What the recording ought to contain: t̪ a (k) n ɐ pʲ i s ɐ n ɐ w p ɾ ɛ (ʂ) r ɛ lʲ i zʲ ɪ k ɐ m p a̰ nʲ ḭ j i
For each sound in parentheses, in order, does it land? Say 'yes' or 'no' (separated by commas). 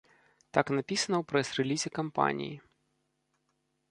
yes, no